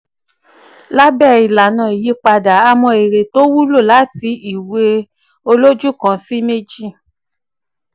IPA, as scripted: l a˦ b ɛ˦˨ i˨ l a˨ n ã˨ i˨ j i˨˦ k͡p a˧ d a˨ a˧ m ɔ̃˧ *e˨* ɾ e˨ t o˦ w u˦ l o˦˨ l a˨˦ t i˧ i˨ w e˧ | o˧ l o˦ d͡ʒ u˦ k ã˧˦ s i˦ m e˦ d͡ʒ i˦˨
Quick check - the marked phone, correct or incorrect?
correct